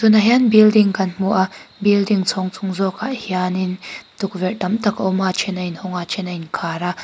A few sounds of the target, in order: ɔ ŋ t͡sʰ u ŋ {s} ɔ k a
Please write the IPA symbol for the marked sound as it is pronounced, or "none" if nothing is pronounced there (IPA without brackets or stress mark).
z